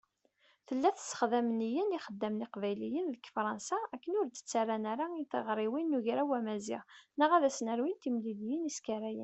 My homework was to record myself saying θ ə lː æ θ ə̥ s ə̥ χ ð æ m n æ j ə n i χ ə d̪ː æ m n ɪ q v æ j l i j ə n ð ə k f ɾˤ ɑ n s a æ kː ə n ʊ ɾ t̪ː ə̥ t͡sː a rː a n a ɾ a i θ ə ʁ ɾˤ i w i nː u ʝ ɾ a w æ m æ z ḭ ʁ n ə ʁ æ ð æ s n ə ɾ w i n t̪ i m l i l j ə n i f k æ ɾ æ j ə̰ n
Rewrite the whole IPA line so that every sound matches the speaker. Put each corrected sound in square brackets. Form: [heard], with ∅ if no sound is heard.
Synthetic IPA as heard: θ ə lː æ θ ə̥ s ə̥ χ ð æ m n [i] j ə n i χ ə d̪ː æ m n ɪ q v æ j l i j ə n ð ə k f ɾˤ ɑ n s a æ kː ə n ʊ ɾ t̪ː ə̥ t͡sː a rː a n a ɾ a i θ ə ʁ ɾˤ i w i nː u ʝ ɾ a w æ m æ z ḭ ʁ n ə ʁ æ ð æ s n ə ɾ w i n t̪ i m l i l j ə n i [s] k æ ɾ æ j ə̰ n